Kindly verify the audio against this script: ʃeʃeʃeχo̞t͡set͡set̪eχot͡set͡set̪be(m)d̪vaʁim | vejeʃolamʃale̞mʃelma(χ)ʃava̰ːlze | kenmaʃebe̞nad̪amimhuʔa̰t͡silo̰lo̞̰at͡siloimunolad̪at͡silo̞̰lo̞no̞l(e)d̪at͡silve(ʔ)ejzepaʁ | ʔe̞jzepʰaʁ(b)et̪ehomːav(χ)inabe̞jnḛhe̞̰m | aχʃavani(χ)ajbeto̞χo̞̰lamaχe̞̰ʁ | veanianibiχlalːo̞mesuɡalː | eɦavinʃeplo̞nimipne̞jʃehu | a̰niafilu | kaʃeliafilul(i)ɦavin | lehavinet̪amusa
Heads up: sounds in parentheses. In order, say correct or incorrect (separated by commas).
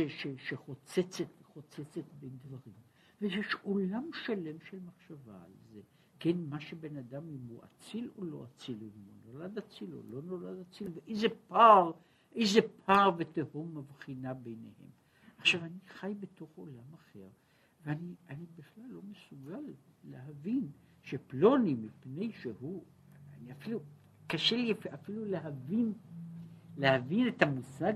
incorrect, correct, incorrect, correct, incorrect, correct, correct, incorrect